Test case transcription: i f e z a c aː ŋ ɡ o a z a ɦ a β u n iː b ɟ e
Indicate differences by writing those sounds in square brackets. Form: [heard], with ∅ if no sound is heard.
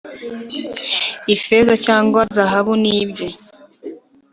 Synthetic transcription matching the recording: i f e z a c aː ŋ ɡ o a z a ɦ a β u n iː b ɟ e